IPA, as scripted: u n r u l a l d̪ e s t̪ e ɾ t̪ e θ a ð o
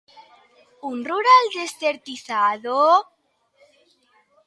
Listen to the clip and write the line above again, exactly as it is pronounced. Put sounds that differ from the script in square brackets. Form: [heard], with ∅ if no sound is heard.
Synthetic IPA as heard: u n r u [ɾ] a l d̪ e s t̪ e ɾ t̪ [i] θ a ð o